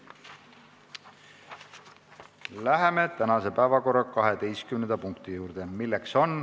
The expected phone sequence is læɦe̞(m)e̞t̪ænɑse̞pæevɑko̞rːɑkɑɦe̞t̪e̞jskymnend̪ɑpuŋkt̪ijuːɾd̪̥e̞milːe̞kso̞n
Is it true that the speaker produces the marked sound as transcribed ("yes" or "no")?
yes